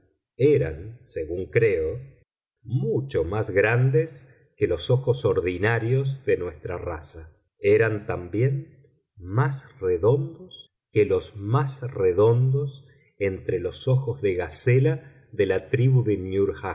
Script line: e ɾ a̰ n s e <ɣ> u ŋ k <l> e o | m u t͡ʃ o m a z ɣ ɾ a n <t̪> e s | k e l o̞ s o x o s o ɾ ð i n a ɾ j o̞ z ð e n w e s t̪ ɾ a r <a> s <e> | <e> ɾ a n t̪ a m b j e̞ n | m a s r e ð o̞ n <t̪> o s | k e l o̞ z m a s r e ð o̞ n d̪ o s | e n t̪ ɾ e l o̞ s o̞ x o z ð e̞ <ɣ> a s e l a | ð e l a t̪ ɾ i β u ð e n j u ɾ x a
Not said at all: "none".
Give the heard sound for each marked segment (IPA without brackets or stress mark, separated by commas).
ɣ, ɾ, d̪, a, a, e, d̪, ɣ